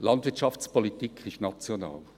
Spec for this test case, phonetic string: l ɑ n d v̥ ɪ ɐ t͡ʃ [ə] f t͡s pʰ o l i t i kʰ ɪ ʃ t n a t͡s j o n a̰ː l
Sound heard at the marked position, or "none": ɑ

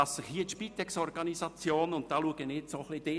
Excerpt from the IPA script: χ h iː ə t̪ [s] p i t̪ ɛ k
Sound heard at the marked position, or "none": ʃ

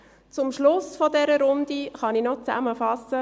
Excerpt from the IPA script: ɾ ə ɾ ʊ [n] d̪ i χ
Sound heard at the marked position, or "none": n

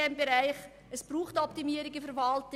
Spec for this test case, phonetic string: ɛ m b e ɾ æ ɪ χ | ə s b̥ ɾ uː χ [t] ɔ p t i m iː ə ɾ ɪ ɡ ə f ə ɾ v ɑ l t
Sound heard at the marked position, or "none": t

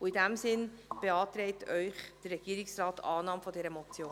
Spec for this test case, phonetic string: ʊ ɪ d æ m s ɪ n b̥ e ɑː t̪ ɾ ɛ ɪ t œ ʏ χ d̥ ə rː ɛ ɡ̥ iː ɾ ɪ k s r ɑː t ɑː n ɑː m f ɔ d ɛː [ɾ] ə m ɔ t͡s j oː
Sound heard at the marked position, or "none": ɾ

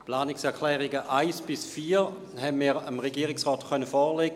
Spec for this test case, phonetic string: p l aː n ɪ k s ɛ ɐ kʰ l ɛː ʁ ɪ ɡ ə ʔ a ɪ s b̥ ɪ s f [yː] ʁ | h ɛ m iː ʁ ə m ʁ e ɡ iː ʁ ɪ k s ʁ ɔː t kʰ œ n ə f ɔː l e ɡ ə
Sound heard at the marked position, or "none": iː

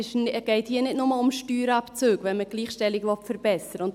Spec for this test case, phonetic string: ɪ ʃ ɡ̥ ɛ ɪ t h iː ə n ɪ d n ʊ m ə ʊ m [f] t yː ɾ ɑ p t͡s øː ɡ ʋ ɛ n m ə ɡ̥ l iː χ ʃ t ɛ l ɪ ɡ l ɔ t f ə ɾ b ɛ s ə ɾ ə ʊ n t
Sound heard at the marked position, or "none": ʃ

